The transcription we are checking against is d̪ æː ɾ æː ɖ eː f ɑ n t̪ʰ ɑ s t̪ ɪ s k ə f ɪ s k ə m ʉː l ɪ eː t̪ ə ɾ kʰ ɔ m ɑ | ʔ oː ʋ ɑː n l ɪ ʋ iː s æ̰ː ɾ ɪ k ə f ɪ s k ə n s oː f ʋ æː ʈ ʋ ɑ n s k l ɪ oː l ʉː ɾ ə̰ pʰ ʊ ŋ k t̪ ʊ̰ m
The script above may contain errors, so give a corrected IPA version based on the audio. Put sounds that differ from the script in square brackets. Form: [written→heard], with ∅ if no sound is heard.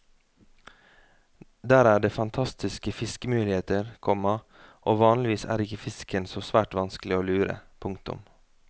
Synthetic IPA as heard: d̪ æː ɾ æː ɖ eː f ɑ n t̪ʰ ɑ s t̪ ɪ s k ə f ɪ s k ə m ʉː l ɪ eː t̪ ə ɾ kʰ ɔ m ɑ | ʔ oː ʋ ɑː n l ɪ ʋ iː s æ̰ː ɾ ɪ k ə f ɪ s k ə n s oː [f→s] ʋ æː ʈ ʋ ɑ n s k l ɪ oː l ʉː ɾ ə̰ pʰ ʊ ŋ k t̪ ʊ̰ m